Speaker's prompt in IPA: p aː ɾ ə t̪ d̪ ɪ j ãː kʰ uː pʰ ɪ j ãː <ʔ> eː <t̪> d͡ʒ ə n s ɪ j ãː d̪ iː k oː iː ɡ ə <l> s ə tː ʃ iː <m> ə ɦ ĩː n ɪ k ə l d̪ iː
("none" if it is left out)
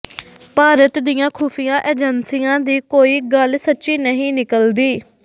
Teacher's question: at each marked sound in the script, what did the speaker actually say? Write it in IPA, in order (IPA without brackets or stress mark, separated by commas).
ʔ, none, l, n